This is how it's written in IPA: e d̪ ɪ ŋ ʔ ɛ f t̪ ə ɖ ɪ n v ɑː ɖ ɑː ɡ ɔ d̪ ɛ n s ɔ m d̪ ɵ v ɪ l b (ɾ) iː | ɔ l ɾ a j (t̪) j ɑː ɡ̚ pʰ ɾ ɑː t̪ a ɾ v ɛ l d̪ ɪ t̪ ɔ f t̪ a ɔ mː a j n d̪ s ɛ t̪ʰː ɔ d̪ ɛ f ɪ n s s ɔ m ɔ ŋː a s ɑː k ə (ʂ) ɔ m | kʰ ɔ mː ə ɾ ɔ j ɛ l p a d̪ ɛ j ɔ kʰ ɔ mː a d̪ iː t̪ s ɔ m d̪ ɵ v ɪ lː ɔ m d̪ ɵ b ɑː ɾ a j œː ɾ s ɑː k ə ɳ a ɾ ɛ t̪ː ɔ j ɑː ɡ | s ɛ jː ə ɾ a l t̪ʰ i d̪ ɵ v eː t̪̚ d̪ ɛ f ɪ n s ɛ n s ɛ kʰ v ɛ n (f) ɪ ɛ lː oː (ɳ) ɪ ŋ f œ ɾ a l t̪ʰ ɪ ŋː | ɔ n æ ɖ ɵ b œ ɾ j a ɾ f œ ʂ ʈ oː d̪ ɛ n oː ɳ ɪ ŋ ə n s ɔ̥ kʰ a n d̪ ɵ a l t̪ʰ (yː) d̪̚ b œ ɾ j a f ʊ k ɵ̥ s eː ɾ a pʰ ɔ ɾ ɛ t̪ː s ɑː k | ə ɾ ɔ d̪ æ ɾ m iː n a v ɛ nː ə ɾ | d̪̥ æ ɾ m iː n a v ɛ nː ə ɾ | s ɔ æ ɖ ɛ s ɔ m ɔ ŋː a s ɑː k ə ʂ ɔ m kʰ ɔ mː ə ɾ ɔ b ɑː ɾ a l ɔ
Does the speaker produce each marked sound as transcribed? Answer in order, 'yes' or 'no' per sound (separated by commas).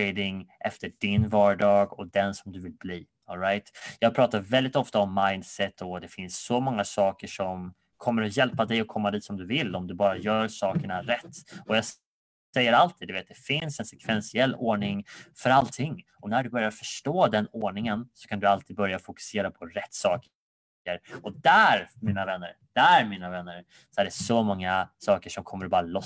no, yes, yes, no, yes, no